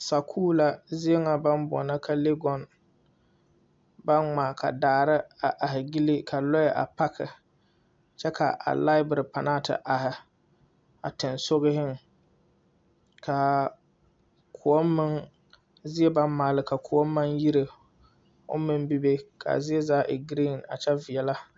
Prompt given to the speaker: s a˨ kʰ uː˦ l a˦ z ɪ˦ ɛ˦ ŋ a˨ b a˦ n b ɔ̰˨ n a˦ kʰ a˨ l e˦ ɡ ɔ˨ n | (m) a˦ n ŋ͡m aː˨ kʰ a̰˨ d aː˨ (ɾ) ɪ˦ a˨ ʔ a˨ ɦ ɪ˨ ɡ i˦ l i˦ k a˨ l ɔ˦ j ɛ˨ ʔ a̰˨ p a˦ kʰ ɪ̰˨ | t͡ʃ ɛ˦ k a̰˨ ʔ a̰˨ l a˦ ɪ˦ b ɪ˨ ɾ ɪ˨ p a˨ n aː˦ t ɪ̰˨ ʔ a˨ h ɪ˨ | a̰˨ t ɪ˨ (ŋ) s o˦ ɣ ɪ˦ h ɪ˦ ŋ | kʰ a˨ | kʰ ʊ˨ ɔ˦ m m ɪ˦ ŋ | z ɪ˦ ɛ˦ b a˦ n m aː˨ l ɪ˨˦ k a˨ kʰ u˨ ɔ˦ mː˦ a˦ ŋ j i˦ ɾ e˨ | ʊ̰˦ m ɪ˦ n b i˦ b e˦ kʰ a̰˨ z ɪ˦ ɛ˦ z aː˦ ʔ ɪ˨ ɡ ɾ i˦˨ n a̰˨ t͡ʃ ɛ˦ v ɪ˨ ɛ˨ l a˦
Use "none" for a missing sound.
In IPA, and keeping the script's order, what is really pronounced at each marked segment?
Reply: b, ɾ, n

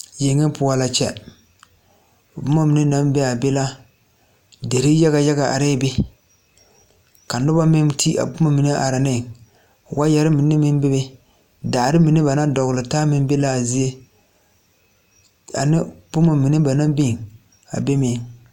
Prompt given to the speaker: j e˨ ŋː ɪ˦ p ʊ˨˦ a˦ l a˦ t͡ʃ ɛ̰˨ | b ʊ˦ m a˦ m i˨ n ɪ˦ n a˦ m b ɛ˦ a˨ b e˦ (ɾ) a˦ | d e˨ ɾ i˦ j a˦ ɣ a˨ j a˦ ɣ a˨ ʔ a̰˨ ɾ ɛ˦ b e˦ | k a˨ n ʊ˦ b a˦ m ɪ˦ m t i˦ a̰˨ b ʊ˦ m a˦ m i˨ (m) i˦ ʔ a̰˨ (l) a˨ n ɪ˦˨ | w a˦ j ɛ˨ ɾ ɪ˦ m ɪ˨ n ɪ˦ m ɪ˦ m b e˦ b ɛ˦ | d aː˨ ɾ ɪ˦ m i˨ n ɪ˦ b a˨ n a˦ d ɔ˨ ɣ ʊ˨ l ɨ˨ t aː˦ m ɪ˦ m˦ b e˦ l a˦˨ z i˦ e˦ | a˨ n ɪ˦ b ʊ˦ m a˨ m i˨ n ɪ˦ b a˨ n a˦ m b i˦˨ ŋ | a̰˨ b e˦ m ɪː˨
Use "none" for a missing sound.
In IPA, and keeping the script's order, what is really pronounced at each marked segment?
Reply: l, n, ɾ

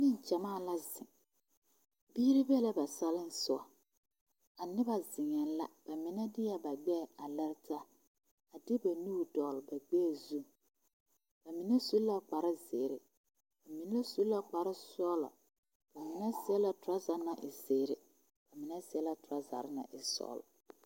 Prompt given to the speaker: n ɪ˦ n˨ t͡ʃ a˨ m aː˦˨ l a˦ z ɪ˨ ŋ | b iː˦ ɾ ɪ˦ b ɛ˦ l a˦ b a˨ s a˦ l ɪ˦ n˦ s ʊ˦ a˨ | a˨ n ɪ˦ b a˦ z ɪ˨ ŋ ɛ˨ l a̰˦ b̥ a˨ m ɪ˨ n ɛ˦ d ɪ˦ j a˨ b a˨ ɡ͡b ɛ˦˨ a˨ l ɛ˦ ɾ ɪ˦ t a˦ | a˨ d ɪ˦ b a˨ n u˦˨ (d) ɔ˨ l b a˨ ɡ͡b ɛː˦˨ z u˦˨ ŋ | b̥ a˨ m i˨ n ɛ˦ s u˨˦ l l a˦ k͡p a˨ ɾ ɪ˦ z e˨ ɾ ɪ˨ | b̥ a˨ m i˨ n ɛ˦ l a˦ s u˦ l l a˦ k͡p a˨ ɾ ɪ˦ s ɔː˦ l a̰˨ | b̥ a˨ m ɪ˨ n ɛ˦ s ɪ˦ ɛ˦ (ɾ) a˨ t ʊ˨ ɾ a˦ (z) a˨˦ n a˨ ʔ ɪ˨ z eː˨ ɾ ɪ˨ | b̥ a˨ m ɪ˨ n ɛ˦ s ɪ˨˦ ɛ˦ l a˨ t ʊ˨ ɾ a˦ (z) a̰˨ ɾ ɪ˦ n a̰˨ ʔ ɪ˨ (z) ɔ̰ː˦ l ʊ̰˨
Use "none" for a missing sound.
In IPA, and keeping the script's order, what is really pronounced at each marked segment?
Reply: d, l, z, z, s

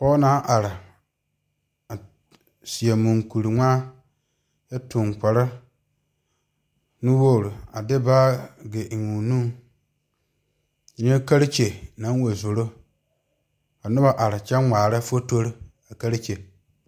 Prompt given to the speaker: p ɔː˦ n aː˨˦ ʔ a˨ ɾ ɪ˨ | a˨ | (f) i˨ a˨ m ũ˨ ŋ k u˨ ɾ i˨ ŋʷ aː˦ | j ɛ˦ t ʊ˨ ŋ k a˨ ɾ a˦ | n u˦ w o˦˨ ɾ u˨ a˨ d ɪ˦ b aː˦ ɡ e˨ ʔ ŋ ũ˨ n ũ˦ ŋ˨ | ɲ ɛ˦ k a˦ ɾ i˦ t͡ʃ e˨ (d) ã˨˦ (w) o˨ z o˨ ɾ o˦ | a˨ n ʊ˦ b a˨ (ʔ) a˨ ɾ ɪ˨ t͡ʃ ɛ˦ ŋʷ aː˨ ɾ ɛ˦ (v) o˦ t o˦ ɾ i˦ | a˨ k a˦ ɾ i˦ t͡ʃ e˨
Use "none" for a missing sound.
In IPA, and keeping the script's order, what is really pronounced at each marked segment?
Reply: s, n, w, ʔ, f

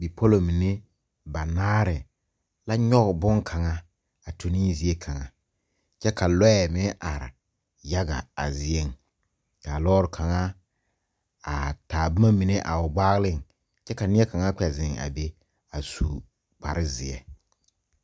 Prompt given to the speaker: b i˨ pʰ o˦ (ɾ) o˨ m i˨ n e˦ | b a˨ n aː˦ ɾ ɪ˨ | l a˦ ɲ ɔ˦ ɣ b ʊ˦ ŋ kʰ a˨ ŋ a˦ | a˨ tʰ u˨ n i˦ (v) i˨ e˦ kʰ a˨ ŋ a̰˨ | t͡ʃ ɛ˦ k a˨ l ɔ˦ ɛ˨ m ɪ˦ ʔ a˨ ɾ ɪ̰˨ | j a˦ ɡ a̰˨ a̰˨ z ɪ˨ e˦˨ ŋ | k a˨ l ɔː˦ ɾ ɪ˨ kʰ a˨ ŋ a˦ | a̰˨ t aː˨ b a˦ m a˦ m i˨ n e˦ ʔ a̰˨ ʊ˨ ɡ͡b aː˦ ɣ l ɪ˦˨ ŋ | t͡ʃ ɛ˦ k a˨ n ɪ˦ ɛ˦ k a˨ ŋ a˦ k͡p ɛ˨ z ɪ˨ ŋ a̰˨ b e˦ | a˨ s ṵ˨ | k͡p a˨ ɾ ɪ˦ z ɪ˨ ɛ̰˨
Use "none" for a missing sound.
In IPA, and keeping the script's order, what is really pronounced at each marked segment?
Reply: l, z

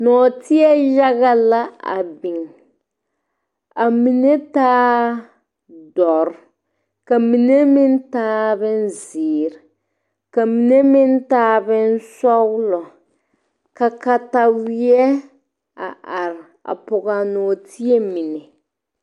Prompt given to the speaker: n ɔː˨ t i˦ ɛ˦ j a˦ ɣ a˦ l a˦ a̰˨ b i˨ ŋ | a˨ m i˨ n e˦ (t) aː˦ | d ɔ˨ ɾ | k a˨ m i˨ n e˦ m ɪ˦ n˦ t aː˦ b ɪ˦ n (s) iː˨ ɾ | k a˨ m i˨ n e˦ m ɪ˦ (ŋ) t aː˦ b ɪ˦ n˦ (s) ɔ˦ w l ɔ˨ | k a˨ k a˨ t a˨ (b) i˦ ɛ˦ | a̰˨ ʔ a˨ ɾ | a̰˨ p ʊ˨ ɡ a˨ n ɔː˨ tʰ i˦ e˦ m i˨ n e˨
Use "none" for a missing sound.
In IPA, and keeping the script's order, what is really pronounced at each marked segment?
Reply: t, z, n, s, w

